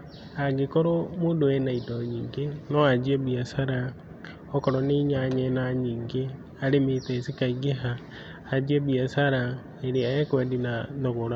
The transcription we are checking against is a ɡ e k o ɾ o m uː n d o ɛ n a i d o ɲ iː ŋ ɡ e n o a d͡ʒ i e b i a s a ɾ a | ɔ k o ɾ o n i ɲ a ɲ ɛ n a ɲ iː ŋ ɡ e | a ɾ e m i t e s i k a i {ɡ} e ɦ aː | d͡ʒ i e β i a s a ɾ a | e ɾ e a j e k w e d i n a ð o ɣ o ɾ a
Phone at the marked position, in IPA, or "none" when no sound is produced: ɡ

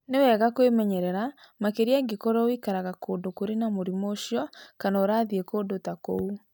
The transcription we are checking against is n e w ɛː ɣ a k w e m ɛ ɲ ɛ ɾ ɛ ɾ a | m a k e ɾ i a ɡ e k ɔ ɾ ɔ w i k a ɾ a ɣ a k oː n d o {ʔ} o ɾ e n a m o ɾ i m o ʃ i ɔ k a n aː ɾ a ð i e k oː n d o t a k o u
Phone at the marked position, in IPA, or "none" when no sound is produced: k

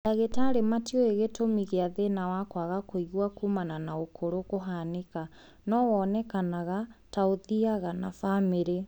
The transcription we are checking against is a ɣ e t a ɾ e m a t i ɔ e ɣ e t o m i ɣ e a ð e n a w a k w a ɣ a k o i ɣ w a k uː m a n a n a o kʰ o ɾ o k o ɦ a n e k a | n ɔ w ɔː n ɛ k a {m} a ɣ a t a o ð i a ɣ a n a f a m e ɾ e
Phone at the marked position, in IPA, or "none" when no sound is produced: n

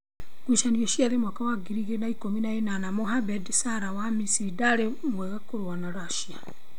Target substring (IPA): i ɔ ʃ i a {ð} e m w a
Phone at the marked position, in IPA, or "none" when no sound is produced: ð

